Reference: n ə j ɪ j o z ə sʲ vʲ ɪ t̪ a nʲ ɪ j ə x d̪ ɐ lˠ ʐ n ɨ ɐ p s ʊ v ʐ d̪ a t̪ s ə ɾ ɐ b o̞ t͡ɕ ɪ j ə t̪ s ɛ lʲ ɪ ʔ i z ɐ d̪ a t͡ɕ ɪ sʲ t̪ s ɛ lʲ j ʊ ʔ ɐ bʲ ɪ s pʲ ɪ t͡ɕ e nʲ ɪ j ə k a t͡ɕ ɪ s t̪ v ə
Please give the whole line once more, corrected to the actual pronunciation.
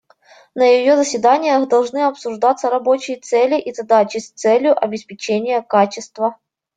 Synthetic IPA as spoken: n ə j ɪ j o z ə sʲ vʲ ɪ d̪ a nʲ ɪ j ə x d̪ ɐ lˠ ʐ n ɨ ɐ p s ʊ ʐ d̪ a t̪ s ə ɾ ɐ b o̞ t͡ɕ ɪ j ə t̪ s ɛ lʲ ɪ ʔ i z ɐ d̪ a t͡ɕ ɪ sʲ t̪ s ɛ lʲ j ʊ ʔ ɐ bʲ ɪ s pʲ ɪ t͡ɕ e nʲ ɪ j ə k a t͡ɕ ɪ s t̪ v ə

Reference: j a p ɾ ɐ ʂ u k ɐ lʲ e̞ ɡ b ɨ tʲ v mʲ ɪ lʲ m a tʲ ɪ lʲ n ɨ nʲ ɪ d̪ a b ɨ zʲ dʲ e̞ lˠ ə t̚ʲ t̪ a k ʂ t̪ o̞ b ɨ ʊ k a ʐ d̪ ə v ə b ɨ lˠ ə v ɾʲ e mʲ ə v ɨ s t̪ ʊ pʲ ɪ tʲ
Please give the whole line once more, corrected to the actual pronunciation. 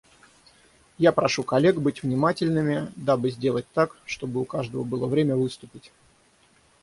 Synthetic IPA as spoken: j a p ɾ ɐ ʂ u k ɐ lʲ e̞ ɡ b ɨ tʲ v nʲ ɪ m a tʲ ɪ lʲ n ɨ mʲ ɪ d̪ a b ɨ zʲ dʲ e̞ lˠ ə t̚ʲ t̪ a k ʂ t̪ o̞ b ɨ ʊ k a ʐ d̪ ə v ə b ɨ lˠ ə v ɾʲ e mʲ ə v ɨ s t̪ ʊ pʲ ɪ tʲ

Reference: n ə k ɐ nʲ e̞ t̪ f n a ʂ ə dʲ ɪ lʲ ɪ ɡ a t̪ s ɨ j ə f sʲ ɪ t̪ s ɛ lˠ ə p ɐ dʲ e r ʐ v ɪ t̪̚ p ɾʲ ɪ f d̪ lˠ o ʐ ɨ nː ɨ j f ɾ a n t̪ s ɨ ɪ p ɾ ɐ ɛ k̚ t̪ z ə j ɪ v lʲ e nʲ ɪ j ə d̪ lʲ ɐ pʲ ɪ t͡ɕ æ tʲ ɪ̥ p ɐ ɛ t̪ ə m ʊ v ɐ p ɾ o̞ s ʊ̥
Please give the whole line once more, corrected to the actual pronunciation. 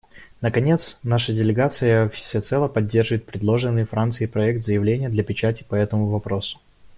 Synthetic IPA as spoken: n ə k ɐ nʲ e̞ t̪ s n a ʂ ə dʲ ɪ lʲ ɪ ɡ a t̪ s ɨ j ə f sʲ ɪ t̪ s ɛ lˠ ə p ɐ dʲː e r ʐ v ɪ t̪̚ p ɾʲ ɪ d̪ lˠ o ʐ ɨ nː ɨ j f ɾ a n t̪ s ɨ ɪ p ɾ ɐ ɛ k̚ t̪ z ə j ɪ v lʲ e nʲ ɪ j ə d̪ lʲ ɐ pʲ ɪ t͡ɕ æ tʲ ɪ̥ p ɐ ɛ t̪ ə m ʊ v ɐ p ɾ o̞ s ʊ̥

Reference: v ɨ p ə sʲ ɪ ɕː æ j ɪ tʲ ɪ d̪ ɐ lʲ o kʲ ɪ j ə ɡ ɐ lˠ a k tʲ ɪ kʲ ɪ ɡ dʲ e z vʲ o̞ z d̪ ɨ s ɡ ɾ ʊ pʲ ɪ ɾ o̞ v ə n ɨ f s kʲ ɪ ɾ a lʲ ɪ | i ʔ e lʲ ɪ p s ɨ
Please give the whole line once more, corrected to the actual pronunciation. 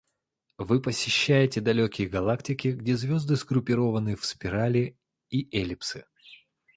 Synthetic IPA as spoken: v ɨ p ə sʲ ɪ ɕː æ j ɪ tʲ ɪ d̪ ɐ lʲ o kʲ ɪ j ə ɡ ɐ lˠ a k tʲ ɪ kʲ ɪ ɡ dʲ e z vʲ o̞ z d̪ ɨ s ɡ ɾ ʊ pʲ ɪ ɾ o̞ v ə n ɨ f s pʲ ɪ ɾ a lʲ ɪ | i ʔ e lʲ ɪ p s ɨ

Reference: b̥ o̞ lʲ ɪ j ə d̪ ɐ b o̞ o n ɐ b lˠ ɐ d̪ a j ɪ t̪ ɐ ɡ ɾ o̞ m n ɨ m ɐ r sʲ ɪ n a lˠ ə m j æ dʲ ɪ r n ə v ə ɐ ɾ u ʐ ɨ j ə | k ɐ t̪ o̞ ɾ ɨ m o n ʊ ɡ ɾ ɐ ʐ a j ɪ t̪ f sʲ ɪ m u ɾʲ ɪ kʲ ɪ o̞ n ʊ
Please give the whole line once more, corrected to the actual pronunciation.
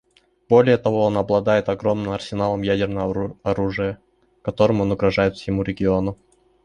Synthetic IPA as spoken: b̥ o̞ lʲ ɪ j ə t̪ ɐ v o̞ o n ɐ b lˠ ɐ d̪ a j ɪ t̪ ɐ ɡ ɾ o̞ m n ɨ m ɐ r sʲ ɪ n a lˠ ə m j æ dʲ ɪ r n ə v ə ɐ ɾ u ʐ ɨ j ə | k ɐ t̪ o̞ ɾ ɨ m o n ʊ ɡ ɾ ɐ ʐ a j ɪ t̪ f sʲ ɪ m u ɾʲ ɪ ɡʲ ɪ o̞ n ʊ

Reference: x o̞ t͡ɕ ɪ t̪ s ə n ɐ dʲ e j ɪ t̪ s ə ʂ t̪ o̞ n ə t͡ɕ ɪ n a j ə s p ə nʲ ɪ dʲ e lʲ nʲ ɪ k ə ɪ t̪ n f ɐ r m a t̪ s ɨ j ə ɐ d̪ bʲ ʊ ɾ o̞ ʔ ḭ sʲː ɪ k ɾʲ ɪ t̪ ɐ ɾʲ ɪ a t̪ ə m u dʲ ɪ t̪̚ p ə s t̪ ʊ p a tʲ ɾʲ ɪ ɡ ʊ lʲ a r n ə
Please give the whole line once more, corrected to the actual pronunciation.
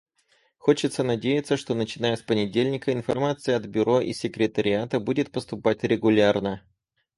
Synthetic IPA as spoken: x o̞ t͡ɕ ɪ t̪ s ə n ɐ dʲ e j ɪ t̪ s ə ʂ t̪ o̞ n ə t͡ɕ ɪ n a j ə s p ə nʲ ɪ dʲ e lʲ nʲ ɪ k ə ɪ n f ɐ r m a t̪ s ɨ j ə ɐ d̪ bʲ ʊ ɾ o̞ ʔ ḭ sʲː ɪ k ɾʲ ɪ t̪ ə ɾʲ ɪ a t̪ ə b u dʲ ɪ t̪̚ p ə s t̪ ʊ p a tʲ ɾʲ ɪ ɡ ʊ lʲ a r n ə

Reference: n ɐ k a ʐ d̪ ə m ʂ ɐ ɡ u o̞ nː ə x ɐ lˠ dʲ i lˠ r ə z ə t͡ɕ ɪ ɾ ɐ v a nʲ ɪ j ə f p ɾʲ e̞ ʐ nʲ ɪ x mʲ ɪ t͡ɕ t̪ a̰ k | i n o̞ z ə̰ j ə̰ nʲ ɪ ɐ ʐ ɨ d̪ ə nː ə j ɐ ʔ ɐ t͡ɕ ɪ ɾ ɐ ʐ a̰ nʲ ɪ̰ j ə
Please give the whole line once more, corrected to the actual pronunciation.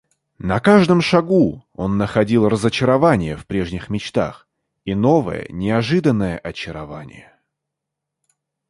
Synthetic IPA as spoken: n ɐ k a ʐ d̪ ə m ʂ ɐ ɡ u o̞ nː ə x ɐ dʲ i lˠ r ə z ə t͡ɕ ɪ ɾ ɐ v a nʲ ɪ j ə f p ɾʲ e̞ ʐ nʲ ɪ x mʲ ɪ t͡ɕ t̪ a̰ x | i n o̞ v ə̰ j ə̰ nʲ ɪ ɐ ʐ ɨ d̪ ə nː ə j ə ʔ ɐ t͡ɕ ɪ ɾ ɐ v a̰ nʲ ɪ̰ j ə

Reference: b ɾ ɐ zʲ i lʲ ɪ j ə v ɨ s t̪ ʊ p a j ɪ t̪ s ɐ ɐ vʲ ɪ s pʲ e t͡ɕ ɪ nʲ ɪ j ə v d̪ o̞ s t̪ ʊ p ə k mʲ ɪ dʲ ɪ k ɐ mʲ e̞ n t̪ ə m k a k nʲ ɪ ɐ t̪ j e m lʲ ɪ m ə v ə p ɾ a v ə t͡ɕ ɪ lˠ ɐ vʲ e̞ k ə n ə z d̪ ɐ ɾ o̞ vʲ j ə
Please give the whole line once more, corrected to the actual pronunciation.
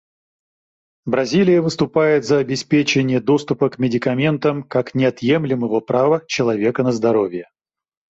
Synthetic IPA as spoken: b ɾ ɐ zʲ i lʲ ɪ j ə v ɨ s t̪ ʊ p a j ɪ t̪ z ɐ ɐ bʲ ɪ s pʲ e t͡ɕ ɪ nʲ ɪ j ə d̪ o̞ s t̪ ʊ p ə k mʲ ɪ dʲ ɪ k ɐ mʲ e̞ n t̪ ə m k a k nʲ ɪ ɐ t̪ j e m lʲ ɪ m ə v ə p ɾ a v ə t͡ɕ ɪ lˠ ɐ vʲ e̞ k ə n ə z d̪ ɐ ɾ o̞ vʲ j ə

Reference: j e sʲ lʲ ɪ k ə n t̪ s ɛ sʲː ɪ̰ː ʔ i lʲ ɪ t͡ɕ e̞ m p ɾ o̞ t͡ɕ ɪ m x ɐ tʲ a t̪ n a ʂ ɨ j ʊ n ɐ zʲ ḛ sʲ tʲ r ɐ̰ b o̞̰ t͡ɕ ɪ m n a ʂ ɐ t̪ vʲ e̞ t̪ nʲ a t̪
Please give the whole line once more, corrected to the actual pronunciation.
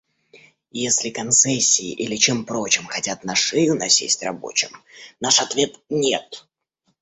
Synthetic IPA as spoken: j e sʲ lʲ ɪ k ɐ n t̪ s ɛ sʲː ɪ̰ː ʔ i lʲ ɪ t͡ɕ e̞ m p ɾ o̞ t͡ɕ ɪ m x ɐ tʲ a t̪ n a ʂ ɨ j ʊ n ɐ sʲ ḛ sʲ tʲ r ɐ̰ b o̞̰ t͡ɕ ɪ m n a ʂ ɐ t̪ vʲ e̞ t̪ nʲ e t̪

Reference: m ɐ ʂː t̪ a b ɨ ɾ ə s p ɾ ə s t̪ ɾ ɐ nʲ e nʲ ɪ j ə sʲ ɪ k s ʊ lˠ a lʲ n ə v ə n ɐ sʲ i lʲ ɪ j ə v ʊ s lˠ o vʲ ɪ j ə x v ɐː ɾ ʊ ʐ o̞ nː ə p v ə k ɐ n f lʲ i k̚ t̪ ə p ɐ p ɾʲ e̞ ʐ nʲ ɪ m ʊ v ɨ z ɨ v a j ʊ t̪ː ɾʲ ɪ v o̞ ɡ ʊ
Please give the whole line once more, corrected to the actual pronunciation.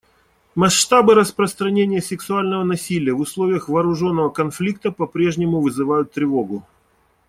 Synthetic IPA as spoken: m ɐ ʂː t̪ a b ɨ ɾ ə s p ɾ ə s t̪ ɾ ɐ nʲ e nʲ ɪ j ə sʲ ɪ k s ʊ a lʲ n ə v ə n ɐ sʲ i lʲ ɪ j ə v ʊ s lˠ o vʲ ɪ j ə x v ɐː ɾ ʊ ʐ o̞ nː ə v ə k ɐ n f lʲ i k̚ t̪ ə p ɐ p ɾʲ e̞ ʐ nʲ ɪ m ʊ v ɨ z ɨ v a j ʊ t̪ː ɾʲ ɪ v o̞ ɡ ʊ

